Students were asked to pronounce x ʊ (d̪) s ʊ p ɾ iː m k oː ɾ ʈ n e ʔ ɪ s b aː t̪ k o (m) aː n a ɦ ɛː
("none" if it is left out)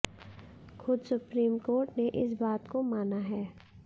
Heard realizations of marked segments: d̪, m

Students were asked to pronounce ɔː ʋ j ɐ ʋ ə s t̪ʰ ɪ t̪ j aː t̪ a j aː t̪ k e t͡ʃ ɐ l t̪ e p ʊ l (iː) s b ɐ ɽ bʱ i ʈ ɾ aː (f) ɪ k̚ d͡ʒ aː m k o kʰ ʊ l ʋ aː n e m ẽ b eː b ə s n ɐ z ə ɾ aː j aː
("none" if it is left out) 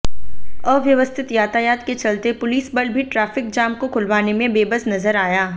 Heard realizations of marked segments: iː, f

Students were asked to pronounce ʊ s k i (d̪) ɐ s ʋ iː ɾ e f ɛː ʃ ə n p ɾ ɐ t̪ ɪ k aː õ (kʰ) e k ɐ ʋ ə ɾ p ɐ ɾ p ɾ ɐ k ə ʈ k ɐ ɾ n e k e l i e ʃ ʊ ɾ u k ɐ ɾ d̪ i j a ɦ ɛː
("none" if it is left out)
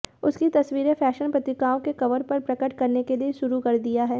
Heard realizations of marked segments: t̪, k

